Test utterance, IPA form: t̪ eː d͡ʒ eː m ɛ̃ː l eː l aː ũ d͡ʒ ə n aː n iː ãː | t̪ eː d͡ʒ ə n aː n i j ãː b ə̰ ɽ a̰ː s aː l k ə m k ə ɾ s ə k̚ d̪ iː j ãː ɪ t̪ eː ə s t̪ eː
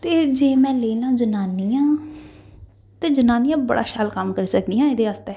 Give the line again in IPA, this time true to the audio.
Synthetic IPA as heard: t̪ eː d͡ʒ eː m ɛ̃ː l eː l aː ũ d͡ʒ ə n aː n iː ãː | t̪ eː d͡ʒ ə n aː n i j ãː b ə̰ ɽ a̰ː ʃ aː l k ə m k ə ɾ s ə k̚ d̪ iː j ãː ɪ d̪ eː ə s t̪ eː